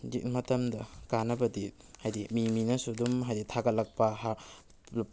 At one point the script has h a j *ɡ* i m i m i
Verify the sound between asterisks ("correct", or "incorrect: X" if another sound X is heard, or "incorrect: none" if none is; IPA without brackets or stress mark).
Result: incorrect: d